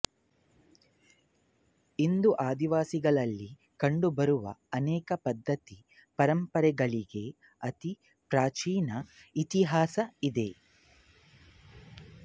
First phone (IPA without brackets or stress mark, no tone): i